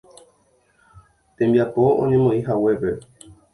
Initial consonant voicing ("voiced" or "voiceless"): voiceless